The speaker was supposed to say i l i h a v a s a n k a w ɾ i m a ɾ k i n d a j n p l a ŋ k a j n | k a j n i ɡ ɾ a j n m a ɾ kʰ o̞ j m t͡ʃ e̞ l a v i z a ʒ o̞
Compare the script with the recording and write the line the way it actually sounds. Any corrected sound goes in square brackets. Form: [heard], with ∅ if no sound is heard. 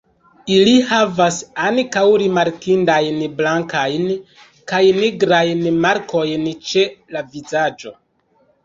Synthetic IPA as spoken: i l i h a v a s a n k a w ɾ i m a ɾ k i n d a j n [b] l a ŋ k a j n | k a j n i ɡ ɾ a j n m a ɾ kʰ o̞ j [n] t͡ʃ e̞ l a v i z a [d͡ʒ] o̞